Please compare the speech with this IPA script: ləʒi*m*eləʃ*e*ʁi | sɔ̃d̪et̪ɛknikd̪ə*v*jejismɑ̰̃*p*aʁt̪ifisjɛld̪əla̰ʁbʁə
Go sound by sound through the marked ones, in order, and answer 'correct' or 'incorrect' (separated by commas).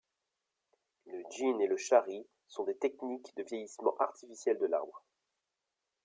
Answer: incorrect, incorrect, correct, incorrect